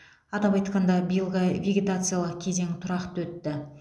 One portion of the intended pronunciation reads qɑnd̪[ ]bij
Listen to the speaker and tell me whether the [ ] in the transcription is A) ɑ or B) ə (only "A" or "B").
A